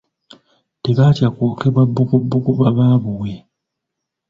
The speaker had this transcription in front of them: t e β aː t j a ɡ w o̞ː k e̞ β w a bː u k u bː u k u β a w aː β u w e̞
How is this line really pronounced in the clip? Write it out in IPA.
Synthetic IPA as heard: t e β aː t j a k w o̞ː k e̞ β w a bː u k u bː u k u β a β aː β u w e̞